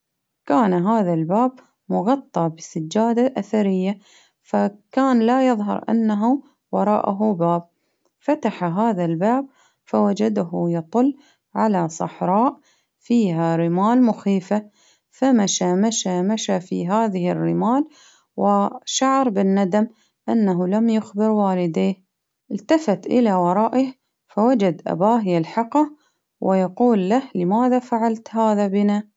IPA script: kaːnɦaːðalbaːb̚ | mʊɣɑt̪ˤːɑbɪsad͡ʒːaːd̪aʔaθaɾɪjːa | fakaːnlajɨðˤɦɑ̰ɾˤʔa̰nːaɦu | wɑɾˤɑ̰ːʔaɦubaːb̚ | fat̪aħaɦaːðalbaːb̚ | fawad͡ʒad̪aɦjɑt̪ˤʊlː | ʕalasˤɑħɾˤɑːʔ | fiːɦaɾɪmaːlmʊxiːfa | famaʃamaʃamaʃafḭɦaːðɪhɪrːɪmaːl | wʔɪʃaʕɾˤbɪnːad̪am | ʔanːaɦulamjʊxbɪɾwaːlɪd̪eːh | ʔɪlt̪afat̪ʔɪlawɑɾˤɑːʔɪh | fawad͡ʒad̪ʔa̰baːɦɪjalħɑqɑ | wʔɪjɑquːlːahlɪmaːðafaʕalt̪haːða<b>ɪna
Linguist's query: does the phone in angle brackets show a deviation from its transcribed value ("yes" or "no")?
no